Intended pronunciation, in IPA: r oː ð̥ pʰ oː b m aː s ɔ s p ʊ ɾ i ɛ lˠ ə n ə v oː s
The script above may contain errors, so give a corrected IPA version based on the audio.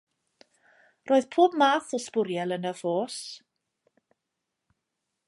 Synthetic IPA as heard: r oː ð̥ pʰ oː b m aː θ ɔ s p ʊ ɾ j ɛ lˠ ə n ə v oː s